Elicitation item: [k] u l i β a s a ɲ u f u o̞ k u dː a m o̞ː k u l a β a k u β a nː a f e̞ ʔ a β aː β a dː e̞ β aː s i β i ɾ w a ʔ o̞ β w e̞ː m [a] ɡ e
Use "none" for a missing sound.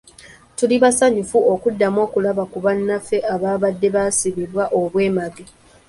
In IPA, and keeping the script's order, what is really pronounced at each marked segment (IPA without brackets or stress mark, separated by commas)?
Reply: t, a